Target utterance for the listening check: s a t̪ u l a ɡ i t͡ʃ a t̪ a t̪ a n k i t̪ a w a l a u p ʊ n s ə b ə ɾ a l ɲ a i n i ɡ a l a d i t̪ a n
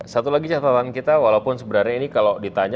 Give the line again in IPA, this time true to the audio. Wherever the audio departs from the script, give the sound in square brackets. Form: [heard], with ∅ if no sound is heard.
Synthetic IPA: s a t̪ u l a ɡ i t͡ʃ a t̪ a t̪ a n k i t̪ a w a l a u p ʊ n s ə b ə ɾ a [ɾ] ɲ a i n i [k] a l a d i t̪ a [ɲ]